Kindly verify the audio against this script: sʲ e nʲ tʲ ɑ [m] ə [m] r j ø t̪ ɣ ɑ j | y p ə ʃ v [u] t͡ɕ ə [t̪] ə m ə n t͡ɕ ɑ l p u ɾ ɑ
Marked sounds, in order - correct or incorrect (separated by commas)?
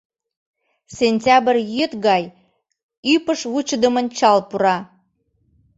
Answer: incorrect, incorrect, correct, incorrect